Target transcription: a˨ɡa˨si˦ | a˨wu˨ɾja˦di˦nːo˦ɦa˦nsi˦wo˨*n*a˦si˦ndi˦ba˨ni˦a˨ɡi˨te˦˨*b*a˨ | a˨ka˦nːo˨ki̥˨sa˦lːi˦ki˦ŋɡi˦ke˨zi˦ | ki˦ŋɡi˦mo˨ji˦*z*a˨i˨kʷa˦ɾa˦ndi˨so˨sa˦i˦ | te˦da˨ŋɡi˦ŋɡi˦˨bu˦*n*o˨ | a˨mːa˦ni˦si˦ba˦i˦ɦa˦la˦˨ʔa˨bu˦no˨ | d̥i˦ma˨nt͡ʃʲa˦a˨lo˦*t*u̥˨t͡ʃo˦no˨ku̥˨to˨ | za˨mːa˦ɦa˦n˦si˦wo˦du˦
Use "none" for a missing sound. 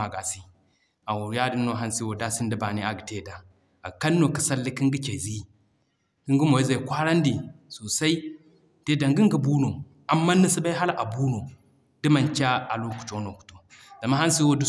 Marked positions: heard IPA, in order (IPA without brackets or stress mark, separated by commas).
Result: d, d, z, n, k